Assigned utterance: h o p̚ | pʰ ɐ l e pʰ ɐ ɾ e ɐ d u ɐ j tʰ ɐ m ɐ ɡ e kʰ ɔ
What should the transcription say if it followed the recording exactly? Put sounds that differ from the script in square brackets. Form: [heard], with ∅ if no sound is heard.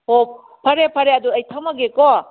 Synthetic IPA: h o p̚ | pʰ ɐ [ɾ] e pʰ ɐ ɾ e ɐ d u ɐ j tʰ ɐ m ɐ ɡ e [k] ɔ